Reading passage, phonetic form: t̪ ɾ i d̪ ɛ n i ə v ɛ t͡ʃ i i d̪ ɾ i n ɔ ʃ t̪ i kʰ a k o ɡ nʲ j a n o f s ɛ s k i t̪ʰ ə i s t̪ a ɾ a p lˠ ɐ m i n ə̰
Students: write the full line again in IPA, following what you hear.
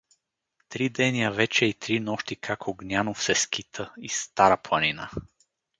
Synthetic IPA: t̪ ɾ i d̪ ɛ n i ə v ɛ t͡ʃ ɛ i t̪ ɾ i n ɔ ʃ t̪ i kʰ a k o ɡ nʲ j a n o f s ɛ s k i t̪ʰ ə i s t̪ a ɾ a p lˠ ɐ n i n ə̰